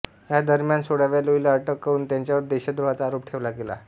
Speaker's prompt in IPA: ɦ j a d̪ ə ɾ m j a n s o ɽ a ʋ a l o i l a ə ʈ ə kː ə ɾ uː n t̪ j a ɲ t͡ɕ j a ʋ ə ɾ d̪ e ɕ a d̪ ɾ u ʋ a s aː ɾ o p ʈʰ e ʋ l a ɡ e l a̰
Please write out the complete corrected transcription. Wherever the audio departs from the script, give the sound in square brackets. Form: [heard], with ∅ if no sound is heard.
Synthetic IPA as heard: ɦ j a d̪ ə ɾ m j a n s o ɽ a ʋ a l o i l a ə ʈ ə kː ə ɾ uː n t̪ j a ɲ t͡ɕ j a ʋ ə ɾ d̪ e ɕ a d̪ ɾ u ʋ a [t͡s] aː ɾ o p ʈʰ e ʋ l a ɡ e l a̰